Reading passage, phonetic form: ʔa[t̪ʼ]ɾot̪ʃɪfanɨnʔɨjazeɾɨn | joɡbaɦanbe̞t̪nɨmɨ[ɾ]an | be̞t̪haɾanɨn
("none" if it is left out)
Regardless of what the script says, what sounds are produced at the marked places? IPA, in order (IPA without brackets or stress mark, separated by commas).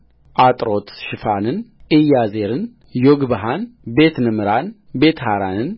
t̪ʼ, ɾ